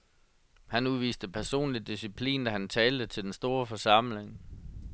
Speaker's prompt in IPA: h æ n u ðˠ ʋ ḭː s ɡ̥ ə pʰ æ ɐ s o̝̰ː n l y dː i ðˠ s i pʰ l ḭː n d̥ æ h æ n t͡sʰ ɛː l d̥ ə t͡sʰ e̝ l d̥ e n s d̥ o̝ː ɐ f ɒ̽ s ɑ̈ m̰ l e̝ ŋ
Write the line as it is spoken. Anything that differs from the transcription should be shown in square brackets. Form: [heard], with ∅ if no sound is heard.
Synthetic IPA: h æ n u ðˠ ʋ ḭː s [d̥] ə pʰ æ ɐ s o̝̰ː n l [i] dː i [∅] s i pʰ l ḭː n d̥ æ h æ n t͡sʰ ɛː l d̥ ə t͡sʰ e̝ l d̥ e n s d̥ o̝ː ɐ f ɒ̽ s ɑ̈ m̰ l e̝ ŋ